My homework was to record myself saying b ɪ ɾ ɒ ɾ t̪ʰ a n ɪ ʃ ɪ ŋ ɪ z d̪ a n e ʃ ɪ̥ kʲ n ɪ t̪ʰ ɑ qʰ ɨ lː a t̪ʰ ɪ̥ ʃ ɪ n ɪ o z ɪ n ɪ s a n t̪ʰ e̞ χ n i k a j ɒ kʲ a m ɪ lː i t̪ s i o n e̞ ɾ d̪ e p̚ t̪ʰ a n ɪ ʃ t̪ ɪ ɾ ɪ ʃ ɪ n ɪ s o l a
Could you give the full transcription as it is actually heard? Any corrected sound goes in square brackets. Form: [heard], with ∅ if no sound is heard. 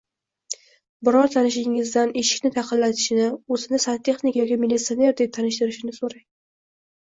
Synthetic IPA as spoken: b ɪ ɾ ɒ ɾ t̪ʰ a n ɪ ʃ ɪ ŋ ɪ z d̪ a n e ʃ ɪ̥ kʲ n ɪ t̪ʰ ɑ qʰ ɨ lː a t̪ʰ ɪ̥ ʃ ɪ n ɪ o z ɪ n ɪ s a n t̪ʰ e̞ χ n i k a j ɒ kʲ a m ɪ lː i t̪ s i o n e̞ ɾ d̪ e p̚ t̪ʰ a n ɪ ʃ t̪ ɪ ɾ ɪ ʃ ɪ n ɪ s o [ɾ] a

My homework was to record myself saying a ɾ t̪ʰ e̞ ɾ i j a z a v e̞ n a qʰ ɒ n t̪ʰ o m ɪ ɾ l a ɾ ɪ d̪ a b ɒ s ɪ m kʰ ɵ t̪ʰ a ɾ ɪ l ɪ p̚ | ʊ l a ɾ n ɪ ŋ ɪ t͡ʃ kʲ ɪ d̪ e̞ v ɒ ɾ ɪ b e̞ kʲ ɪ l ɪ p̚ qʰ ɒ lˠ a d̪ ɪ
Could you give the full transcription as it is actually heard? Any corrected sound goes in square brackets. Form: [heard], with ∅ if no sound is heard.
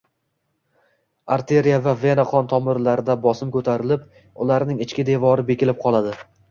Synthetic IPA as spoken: a ɾ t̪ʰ e̞ ɾ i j a [v] a v e̞ n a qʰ ɒ n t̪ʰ [ɒ] m ɪ ɾ l a ɾ ɪ d̪ a b ɒ s ɪ m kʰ ɵ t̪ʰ a ɾ ɪ l ɪ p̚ | ʊ l a ɾ n ɪ ŋ ɪ t͡ʃ kʲ ɪ d̪ e̞ v ɒ ɾ ɪ b e̞ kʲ ɪ l ɪ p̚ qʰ ɒ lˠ a d̪ ɪ

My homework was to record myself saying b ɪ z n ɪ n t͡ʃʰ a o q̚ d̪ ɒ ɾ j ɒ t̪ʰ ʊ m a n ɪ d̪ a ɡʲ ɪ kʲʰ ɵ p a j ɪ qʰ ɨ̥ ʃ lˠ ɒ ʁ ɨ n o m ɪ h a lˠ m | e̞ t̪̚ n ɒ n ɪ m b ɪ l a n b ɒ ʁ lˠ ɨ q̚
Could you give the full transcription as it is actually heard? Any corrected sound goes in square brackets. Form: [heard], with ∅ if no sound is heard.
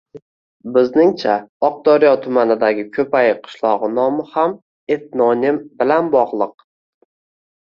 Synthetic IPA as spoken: b ɪ z n ɪ [ŋ] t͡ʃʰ a [ɒ] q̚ d̪ ɒ ɾ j ɒ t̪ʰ ʊ m a n ɪ d̪ a ɡʲ ɪ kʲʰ ɵ p a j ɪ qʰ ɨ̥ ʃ lˠ ɒ ʁ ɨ n [ɒ] m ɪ h a [∅] m | e̞ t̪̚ n ɒ n ɪ m b ɪ l a n b ɒ ʁ lˠ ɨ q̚

